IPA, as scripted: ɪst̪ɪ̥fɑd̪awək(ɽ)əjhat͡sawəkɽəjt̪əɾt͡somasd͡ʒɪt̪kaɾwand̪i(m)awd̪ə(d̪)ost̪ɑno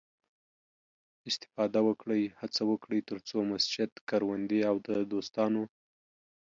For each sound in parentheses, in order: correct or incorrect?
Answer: correct, incorrect, correct

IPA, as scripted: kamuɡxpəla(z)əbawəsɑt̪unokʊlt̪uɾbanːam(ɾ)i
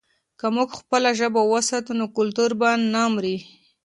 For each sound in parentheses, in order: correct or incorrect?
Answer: incorrect, correct

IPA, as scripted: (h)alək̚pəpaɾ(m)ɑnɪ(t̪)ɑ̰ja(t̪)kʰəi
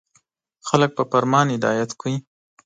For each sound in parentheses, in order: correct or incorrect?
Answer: incorrect, correct, incorrect, correct

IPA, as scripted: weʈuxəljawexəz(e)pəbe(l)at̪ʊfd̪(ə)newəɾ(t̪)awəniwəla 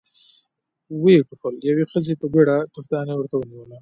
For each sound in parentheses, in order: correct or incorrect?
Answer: correct, incorrect, incorrect, correct

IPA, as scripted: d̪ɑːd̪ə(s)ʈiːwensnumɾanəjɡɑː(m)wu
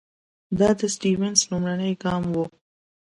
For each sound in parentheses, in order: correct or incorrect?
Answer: correct, correct

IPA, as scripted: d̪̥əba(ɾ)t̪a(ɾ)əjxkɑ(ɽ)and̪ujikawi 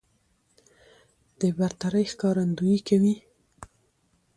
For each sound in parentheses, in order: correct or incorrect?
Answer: correct, correct, incorrect

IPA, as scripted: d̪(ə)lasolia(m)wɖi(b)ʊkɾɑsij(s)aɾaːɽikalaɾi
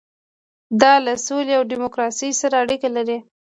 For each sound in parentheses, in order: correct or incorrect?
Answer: incorrect, incorrect, incorrect, correct

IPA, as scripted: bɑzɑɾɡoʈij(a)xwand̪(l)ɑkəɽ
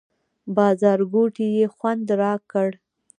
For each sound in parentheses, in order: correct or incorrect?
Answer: incorrect, incorrect

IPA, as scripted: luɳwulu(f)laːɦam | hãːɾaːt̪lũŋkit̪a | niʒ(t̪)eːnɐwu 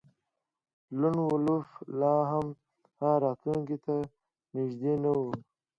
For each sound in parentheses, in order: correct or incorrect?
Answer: correct, incorrect

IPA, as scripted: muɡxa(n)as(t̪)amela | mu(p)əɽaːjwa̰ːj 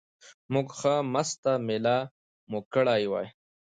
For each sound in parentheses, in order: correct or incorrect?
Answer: incorrect, correct, incorrect

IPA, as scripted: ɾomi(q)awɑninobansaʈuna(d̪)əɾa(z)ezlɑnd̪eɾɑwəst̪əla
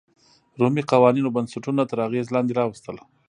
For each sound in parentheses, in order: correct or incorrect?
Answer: correct, incorrect, incorrect

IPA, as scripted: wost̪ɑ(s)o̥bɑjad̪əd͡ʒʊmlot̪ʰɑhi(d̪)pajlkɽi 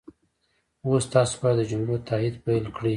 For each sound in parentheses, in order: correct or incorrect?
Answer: correct, correct

